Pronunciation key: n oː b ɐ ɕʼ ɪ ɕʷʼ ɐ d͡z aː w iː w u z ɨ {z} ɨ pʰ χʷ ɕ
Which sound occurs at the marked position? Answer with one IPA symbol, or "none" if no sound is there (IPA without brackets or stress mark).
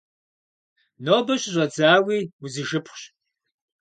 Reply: ʒ